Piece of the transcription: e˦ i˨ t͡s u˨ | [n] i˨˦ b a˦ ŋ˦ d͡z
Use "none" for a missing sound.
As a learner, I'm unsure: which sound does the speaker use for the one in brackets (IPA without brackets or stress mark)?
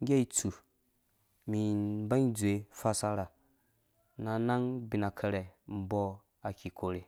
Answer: m